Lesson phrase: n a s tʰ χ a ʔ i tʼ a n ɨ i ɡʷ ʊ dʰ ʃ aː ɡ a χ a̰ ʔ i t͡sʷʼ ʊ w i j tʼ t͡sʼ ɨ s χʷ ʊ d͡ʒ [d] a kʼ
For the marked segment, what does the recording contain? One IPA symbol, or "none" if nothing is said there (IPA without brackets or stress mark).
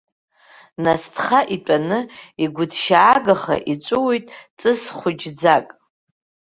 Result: d͡z